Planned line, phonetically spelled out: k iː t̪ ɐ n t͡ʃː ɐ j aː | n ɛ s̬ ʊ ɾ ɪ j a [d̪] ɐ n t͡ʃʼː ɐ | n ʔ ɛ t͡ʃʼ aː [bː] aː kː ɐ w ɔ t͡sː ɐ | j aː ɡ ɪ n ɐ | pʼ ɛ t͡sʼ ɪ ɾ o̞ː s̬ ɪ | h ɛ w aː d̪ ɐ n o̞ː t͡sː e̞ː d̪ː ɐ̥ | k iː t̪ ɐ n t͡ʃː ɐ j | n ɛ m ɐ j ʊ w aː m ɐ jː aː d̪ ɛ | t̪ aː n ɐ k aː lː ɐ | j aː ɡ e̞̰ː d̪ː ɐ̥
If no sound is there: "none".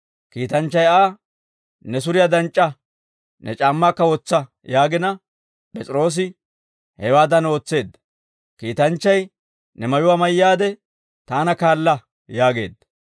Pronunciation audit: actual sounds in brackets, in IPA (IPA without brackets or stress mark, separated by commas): d̪, mː